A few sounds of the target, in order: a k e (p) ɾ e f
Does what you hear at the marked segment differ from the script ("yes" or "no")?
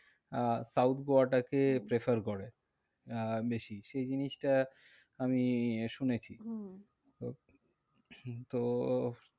no